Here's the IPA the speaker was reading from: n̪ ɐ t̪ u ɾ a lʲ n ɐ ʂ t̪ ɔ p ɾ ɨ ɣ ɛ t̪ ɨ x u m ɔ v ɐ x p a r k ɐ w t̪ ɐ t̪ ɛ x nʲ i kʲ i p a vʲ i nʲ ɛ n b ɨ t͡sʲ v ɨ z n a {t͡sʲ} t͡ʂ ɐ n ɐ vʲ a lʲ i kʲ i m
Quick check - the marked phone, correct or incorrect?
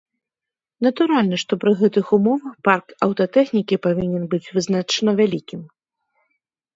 incorrect